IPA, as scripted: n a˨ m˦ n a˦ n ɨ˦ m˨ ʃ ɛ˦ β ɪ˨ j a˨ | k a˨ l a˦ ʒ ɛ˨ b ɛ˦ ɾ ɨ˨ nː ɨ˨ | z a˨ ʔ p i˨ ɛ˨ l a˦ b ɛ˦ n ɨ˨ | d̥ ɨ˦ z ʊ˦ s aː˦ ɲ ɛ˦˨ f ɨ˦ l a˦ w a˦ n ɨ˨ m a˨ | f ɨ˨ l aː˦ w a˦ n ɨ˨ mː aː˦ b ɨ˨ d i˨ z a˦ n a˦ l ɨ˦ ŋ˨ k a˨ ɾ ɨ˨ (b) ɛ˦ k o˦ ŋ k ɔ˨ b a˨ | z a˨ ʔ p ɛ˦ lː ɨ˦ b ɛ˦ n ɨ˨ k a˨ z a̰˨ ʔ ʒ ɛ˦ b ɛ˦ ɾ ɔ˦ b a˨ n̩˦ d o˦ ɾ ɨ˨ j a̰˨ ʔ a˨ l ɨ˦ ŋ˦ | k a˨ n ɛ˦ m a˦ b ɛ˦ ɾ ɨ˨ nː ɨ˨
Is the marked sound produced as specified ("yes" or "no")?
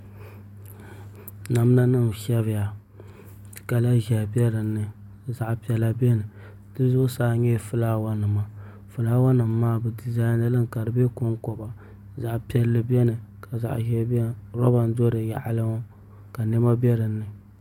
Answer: yes